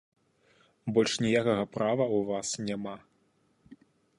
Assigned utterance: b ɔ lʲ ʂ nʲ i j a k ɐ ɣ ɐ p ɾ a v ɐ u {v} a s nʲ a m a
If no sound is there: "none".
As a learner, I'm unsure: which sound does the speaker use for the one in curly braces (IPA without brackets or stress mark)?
v